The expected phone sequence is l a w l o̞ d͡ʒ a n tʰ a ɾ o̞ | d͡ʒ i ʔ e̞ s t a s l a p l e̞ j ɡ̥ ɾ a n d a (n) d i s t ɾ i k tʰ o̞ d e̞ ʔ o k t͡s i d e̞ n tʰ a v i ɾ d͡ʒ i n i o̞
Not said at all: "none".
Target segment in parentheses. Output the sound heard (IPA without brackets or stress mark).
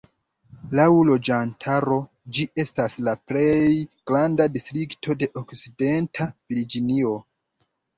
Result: none